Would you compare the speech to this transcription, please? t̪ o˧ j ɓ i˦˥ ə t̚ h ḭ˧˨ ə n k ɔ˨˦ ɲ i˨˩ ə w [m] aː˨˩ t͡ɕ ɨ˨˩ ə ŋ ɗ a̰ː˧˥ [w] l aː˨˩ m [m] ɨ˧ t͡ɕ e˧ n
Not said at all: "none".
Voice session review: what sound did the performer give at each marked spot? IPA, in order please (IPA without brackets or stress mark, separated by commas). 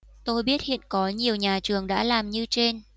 ɲ, none, ɲ